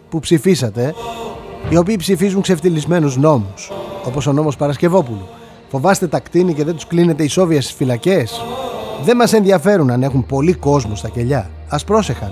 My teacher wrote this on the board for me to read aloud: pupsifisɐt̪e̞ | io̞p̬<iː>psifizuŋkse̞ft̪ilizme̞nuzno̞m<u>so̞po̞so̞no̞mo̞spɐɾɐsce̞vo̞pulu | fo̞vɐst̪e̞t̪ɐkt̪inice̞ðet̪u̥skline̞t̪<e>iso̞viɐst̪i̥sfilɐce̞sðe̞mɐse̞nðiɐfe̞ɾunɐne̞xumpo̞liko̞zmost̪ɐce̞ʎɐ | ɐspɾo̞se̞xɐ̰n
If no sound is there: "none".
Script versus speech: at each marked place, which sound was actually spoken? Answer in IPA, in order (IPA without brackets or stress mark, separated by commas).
iː, u, e